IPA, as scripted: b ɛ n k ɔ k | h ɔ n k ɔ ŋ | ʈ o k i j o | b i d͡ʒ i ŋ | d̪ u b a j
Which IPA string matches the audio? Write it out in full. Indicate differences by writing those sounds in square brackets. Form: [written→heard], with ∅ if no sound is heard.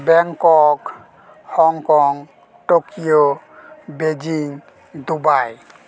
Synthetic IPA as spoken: b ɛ [n→ŋ] k ɔ k | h ɔ [n→ŋ] k ɔ ŋ | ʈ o k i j o | b [i→e] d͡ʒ i ŋ | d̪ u b a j